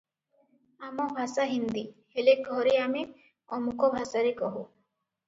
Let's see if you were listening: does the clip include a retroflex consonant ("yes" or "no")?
no